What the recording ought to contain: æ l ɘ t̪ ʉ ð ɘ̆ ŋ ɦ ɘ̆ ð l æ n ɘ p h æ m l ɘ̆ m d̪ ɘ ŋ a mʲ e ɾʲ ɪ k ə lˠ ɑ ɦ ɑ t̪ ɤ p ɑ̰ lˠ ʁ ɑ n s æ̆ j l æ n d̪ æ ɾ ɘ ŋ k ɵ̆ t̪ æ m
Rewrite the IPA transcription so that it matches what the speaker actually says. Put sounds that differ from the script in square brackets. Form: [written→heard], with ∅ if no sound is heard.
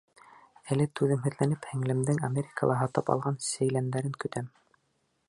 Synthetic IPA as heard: æ l ɘ t̪ ʉ ð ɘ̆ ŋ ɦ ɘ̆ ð l æ n ɘ p h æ [m→ŋ] l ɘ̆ m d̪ ɘ ŋ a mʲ e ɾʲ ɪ k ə lˠ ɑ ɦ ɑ t̪ ɤ p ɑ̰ lˠ ʁ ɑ n s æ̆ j l æ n d̪ æ ɾ ɘ ŋ k ɵ̆ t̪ æ m